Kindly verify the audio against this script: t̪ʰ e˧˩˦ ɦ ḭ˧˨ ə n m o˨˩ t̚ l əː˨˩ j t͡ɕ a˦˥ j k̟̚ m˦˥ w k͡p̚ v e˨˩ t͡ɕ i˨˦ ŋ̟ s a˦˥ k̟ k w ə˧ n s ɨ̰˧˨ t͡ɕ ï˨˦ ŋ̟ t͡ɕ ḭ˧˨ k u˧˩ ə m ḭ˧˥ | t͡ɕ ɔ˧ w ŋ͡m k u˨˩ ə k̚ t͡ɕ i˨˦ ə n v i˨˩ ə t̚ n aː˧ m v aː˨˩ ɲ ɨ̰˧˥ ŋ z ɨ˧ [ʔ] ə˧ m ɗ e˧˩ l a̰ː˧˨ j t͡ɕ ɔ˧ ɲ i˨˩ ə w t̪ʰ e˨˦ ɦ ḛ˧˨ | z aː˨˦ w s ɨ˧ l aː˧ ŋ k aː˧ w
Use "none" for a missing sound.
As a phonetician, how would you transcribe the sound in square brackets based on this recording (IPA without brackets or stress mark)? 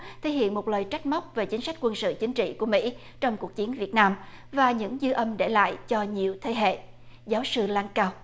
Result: ʔ